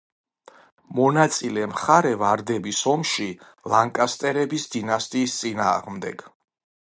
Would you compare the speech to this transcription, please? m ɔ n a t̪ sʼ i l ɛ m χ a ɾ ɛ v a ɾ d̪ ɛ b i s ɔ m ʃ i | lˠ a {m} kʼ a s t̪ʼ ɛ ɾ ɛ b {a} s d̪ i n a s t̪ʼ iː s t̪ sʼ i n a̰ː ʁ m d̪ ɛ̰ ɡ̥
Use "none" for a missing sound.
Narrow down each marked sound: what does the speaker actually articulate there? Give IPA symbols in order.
ŋ, i

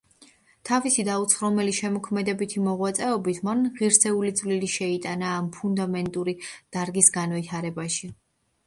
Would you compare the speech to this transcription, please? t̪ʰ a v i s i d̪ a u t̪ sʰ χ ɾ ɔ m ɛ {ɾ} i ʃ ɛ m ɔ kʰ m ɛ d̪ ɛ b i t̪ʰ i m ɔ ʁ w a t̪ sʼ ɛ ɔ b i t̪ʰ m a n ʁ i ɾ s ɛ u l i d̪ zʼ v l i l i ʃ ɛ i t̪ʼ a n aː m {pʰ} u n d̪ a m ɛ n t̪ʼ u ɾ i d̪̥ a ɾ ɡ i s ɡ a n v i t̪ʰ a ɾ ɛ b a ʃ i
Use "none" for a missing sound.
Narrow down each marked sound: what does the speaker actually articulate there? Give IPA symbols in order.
l, pʰ

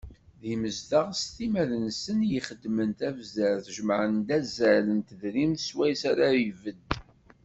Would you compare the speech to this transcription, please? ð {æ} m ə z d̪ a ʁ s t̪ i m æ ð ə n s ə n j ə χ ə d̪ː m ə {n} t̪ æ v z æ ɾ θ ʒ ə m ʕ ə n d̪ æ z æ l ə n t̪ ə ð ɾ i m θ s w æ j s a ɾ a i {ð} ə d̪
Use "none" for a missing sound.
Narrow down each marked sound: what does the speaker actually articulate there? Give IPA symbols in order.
i, n, v

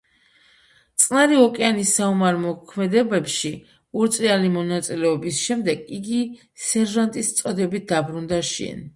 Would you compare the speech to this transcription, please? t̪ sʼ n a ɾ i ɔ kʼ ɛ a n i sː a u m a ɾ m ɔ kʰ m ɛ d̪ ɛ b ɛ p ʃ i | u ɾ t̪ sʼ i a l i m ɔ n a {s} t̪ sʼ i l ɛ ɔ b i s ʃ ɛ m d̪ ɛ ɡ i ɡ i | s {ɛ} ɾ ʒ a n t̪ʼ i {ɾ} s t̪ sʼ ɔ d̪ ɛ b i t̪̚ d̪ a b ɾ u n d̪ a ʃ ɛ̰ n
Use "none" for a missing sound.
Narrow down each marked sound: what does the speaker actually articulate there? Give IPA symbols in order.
none, ɛ, none

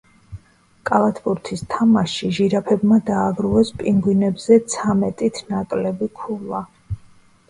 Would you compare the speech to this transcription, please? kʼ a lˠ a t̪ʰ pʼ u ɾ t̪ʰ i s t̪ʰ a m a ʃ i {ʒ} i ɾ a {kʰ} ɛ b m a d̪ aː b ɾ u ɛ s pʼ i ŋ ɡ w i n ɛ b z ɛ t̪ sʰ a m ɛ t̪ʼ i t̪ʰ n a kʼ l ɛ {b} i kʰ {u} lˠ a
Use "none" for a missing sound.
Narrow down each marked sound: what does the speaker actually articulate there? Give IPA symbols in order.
ʒ, pʰ, b, u

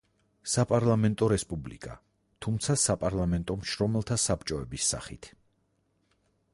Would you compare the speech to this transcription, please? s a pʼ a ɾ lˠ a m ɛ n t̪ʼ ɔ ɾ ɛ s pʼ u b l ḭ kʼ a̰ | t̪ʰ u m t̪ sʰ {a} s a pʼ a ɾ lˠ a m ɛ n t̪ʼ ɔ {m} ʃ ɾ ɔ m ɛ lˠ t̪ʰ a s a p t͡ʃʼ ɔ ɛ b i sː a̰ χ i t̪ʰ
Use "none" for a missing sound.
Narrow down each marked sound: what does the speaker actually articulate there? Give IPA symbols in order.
a, m

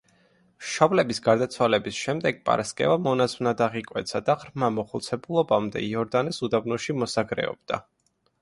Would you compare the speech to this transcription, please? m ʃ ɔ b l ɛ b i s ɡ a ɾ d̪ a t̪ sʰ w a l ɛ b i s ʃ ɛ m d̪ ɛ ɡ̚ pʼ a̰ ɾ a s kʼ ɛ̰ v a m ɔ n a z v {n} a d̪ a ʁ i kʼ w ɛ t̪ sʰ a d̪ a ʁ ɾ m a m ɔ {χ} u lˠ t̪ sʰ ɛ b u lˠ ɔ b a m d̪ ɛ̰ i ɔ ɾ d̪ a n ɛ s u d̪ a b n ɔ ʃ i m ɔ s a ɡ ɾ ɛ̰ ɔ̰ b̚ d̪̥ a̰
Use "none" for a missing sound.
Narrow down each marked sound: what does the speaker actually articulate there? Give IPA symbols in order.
n, χ

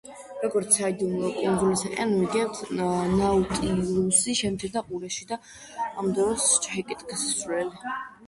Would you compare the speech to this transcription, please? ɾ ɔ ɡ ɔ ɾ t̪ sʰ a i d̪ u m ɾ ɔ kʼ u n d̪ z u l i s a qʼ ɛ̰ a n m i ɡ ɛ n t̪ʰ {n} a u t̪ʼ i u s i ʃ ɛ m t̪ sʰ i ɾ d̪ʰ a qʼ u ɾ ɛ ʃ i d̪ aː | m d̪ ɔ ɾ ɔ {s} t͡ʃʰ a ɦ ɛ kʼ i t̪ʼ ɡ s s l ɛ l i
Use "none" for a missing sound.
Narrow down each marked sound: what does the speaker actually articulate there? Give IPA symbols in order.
n, s

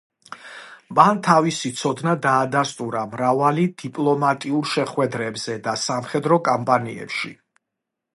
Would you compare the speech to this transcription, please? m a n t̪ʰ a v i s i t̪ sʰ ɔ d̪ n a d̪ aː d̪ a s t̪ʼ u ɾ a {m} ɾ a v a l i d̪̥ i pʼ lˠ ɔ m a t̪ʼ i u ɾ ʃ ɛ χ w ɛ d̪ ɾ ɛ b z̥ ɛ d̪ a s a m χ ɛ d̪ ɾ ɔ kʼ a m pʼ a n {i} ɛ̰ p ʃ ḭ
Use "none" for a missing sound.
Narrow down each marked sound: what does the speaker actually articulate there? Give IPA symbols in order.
m, i

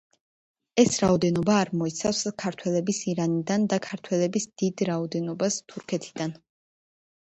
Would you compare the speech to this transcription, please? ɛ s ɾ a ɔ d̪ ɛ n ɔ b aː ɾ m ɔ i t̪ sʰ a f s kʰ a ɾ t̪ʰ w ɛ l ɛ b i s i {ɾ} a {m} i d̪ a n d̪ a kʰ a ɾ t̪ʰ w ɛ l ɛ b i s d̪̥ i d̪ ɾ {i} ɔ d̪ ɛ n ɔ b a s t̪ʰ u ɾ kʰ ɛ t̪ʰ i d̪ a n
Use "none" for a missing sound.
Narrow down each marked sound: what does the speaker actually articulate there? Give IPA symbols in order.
ɾ, n, a

